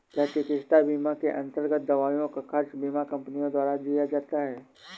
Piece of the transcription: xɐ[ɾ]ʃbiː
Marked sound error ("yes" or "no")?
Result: no